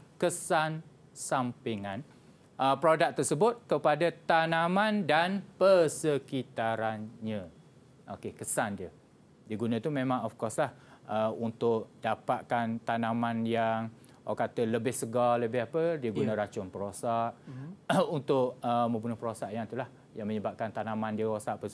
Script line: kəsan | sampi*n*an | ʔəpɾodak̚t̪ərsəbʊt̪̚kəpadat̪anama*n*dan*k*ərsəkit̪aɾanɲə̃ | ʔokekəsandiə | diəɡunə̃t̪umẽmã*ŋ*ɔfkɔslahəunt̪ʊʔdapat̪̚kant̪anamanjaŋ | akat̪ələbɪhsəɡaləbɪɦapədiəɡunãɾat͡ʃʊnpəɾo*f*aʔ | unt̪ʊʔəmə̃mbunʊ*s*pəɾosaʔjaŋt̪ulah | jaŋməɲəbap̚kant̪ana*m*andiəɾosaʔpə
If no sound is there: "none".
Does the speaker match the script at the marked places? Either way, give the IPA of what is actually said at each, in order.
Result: ŋ, n, p, ŋ, s, h, m

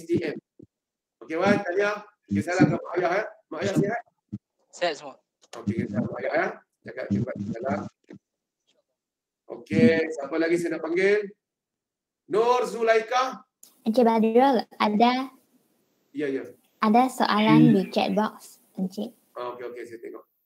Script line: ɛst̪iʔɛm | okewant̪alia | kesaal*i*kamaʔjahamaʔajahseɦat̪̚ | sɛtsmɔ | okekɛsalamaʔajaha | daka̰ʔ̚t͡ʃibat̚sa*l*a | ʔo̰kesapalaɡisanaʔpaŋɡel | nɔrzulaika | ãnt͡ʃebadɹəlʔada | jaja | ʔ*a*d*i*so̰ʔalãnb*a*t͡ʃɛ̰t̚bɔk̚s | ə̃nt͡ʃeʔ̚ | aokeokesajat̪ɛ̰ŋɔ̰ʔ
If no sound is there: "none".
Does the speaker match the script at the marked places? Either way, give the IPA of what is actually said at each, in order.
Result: a, l, a, a, i

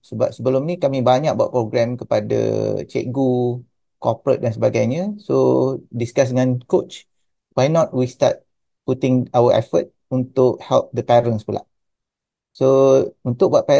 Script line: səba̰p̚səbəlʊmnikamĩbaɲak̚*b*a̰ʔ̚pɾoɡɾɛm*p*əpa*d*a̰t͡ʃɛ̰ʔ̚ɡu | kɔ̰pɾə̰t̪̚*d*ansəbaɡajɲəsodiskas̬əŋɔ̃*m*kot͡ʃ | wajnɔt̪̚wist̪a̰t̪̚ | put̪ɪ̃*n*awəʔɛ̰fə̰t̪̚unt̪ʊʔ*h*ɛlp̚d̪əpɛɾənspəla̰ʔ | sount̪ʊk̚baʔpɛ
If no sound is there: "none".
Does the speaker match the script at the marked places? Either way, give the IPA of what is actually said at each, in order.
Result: b, k, d, d, n, ŋ, h

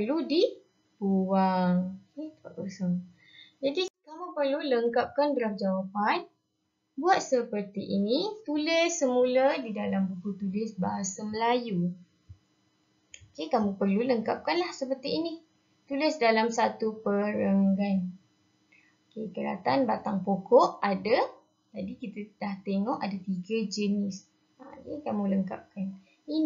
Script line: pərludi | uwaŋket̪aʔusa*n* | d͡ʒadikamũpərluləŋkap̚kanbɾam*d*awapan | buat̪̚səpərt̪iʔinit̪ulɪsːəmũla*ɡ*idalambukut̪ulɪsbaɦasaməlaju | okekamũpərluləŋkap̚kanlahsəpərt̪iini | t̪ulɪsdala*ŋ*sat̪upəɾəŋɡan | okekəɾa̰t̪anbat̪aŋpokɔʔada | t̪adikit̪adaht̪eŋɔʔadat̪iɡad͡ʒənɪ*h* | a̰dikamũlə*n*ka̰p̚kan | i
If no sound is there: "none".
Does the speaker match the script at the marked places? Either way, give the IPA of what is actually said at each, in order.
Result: ŋ, d͡ʒ, d, m, s, ŋ

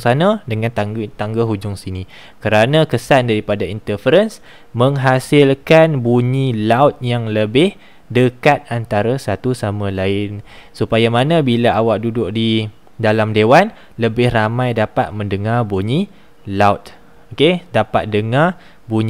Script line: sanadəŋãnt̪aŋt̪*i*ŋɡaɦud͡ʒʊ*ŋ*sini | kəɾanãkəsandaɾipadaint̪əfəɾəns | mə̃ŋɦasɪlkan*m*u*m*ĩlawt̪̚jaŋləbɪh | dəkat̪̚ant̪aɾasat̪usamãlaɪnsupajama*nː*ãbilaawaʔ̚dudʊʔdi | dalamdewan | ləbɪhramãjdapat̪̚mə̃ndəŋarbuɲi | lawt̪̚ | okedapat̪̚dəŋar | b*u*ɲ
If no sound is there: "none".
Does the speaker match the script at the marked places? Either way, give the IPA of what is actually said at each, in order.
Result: a, ŋ, b, ɲ, n, u

